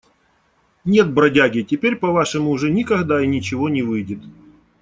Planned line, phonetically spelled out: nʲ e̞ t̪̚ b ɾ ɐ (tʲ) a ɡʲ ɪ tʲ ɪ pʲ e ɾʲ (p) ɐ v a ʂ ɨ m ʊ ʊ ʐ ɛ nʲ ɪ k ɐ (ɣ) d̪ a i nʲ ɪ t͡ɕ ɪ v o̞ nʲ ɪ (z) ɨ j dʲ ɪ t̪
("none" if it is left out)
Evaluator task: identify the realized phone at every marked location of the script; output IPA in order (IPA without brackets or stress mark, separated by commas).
dʲ, p, ɣ, v